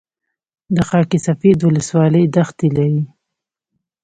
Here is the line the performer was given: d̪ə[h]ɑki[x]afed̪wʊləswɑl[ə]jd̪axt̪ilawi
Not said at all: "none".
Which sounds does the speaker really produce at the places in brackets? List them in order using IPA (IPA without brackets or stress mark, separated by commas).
x, s, ə